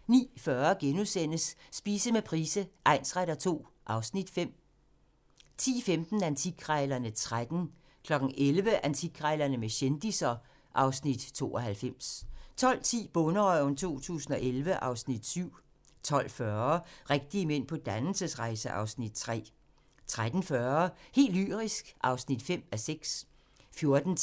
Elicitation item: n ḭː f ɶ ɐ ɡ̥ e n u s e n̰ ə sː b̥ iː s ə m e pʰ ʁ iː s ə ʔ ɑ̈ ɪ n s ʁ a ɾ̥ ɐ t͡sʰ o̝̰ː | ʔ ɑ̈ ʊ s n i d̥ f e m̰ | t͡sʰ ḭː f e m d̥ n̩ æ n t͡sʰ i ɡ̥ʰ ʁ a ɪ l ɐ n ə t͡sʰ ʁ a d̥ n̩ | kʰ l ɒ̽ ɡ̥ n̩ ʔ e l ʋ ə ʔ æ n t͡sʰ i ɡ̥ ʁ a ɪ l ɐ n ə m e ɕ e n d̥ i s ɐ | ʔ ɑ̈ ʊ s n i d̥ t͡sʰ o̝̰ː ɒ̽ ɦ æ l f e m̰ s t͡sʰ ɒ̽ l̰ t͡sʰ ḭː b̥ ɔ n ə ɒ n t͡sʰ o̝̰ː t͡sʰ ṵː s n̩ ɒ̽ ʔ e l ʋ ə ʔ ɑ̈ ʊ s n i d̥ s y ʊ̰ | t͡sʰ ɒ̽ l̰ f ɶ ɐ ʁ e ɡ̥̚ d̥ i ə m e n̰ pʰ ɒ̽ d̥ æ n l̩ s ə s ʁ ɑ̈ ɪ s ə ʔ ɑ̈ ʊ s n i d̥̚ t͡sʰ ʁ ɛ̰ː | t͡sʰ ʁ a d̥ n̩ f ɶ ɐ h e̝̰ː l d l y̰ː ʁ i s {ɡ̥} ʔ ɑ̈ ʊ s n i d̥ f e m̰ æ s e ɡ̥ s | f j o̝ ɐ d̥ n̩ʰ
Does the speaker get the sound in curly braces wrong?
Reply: no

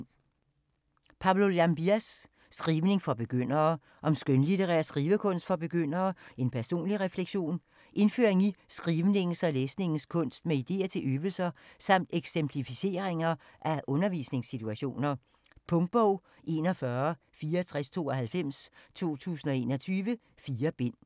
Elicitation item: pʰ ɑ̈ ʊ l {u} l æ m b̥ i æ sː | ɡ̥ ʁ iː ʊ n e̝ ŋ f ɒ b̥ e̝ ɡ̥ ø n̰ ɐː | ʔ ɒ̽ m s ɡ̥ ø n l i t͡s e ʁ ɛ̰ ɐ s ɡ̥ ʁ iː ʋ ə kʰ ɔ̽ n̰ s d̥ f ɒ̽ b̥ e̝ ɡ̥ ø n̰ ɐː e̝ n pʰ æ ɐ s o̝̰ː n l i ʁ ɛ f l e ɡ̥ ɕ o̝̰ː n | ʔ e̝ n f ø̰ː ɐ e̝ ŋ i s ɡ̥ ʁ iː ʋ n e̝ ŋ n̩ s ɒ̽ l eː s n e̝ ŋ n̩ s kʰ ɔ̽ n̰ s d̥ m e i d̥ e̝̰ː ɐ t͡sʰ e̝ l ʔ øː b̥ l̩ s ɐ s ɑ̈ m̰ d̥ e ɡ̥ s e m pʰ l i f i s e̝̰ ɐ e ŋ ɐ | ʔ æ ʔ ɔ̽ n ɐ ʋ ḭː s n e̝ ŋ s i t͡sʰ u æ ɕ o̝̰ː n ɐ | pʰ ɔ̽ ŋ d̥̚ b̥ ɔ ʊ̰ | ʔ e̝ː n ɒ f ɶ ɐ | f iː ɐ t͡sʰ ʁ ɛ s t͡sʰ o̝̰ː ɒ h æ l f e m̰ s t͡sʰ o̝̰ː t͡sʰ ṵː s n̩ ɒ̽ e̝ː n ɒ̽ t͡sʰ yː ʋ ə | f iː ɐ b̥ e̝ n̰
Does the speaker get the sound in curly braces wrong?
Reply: yes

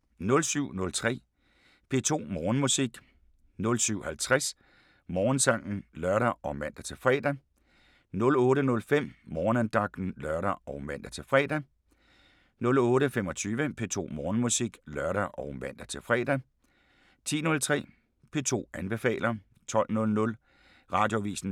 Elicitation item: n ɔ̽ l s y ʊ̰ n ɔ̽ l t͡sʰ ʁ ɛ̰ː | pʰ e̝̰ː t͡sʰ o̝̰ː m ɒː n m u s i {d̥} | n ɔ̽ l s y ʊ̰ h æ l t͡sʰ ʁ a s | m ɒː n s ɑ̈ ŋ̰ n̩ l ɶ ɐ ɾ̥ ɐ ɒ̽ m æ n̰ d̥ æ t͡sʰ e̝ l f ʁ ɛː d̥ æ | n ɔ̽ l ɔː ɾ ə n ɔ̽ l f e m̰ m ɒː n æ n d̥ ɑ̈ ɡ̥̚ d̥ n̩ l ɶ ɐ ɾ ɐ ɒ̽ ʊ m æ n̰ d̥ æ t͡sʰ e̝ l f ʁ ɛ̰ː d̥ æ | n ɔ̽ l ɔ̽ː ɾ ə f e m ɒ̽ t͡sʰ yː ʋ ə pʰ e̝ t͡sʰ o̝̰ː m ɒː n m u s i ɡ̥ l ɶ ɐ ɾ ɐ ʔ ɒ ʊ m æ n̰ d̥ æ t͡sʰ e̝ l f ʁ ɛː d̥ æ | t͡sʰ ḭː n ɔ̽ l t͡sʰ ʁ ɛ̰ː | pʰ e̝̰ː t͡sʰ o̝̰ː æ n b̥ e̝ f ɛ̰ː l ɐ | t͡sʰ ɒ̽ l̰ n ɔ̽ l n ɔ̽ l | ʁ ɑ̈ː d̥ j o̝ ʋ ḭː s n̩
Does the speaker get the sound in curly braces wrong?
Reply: yes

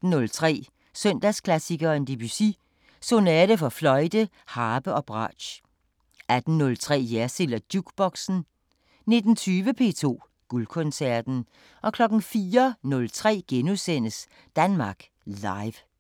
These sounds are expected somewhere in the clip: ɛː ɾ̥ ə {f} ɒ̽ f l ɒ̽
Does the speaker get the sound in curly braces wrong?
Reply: no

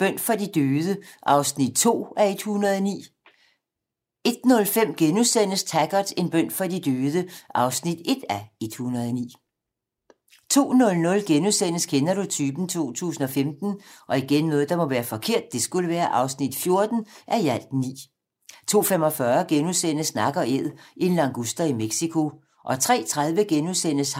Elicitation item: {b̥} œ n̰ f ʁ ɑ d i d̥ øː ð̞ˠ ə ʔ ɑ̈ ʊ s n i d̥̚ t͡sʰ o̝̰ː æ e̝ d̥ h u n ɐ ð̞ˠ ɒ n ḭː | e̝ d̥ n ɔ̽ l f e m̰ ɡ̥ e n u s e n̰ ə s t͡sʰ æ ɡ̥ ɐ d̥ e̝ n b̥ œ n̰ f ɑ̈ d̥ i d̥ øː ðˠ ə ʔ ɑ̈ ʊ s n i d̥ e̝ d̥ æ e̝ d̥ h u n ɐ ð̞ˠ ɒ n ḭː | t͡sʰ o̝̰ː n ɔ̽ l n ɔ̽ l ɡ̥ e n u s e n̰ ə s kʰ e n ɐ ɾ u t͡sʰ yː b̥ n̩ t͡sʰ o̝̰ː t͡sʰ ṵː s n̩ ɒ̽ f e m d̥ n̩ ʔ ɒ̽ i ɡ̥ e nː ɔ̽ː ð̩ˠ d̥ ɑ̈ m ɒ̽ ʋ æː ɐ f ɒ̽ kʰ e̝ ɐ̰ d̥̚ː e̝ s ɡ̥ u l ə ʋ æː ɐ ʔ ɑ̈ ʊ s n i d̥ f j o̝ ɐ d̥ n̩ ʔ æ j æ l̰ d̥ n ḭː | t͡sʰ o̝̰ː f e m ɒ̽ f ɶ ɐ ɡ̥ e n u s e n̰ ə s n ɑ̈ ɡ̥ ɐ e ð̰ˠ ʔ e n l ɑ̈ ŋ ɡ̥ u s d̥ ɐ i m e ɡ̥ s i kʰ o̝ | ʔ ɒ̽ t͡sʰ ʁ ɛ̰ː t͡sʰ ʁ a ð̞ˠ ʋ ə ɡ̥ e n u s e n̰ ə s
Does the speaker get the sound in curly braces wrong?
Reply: no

